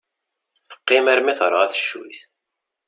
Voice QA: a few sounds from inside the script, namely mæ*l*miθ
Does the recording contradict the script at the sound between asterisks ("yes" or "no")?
yes